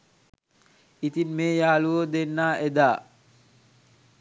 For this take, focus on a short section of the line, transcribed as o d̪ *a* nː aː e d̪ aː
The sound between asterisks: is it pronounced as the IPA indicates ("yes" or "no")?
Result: no